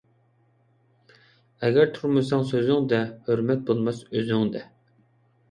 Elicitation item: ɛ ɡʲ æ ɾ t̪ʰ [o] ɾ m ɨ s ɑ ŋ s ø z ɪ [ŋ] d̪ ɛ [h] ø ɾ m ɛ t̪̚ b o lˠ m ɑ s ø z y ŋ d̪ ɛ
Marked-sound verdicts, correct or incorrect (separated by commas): incorrect, correct, correct